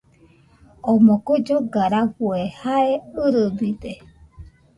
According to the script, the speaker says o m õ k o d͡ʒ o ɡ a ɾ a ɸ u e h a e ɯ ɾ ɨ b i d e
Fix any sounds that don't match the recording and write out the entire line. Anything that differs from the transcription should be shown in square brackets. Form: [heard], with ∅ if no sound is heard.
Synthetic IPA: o m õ k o d͡ʒ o ɡ a ɾ a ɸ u e h a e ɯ ɾ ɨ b i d e